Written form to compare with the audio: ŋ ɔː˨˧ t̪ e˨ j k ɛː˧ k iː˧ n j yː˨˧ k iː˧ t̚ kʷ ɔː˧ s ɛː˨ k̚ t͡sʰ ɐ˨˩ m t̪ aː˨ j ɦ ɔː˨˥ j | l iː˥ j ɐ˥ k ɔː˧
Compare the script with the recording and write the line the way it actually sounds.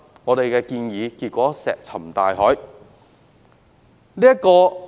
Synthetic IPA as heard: ŋ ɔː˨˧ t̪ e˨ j k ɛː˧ k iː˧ n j iː˨˧ k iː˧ t̚ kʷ ɔː˨˥ s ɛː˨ k̚ t͡sʰ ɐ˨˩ m t̪ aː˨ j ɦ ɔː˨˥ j | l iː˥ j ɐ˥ k ɔː˧